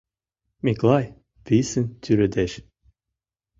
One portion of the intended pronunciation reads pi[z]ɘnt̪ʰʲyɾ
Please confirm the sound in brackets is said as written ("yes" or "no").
no